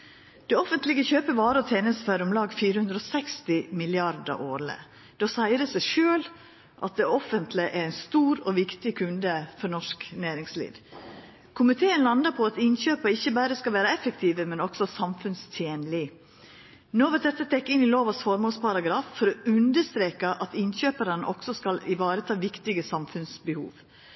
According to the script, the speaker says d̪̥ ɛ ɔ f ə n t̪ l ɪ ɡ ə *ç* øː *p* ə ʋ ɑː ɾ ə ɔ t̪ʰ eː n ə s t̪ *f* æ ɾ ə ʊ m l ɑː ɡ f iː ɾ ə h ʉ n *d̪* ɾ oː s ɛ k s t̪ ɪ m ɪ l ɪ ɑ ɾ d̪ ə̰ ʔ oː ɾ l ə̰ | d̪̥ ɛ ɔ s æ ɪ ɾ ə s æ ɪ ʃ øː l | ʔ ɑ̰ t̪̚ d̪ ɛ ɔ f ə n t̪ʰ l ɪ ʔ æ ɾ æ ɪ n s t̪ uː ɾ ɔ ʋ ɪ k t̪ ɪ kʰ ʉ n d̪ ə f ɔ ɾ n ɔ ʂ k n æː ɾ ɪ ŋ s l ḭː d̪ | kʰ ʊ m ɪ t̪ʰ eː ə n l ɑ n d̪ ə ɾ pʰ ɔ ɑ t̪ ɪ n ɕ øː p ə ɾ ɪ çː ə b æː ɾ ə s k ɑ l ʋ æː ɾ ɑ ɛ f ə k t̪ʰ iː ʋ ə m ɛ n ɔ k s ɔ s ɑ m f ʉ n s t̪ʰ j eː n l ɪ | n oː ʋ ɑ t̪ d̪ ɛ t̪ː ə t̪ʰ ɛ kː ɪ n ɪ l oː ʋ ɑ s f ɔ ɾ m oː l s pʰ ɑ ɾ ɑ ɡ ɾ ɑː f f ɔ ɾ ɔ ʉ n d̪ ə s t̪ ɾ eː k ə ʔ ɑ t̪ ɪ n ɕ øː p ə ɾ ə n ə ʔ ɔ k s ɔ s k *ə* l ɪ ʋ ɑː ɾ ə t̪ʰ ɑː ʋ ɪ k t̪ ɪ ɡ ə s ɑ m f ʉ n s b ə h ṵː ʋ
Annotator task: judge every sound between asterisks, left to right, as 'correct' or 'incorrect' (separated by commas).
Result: correct, correct, correct, correct, incorrect